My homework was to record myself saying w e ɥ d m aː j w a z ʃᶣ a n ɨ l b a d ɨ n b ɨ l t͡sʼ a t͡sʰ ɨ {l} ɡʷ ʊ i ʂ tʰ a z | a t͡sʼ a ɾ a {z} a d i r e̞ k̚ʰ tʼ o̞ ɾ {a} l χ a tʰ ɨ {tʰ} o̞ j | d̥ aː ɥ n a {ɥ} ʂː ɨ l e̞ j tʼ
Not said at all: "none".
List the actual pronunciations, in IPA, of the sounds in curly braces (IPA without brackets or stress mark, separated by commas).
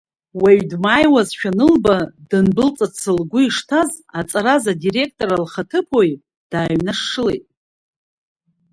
l, z, a, pʰ, none